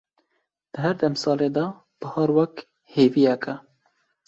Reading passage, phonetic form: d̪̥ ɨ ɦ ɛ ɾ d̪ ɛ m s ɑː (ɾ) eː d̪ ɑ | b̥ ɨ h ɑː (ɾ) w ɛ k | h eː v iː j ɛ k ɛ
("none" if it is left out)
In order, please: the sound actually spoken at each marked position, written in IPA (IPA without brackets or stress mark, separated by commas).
l, ɾ